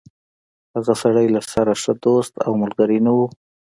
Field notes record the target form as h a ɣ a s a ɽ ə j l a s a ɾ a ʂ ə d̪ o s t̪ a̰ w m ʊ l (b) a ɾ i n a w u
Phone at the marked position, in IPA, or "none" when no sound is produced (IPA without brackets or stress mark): ɡ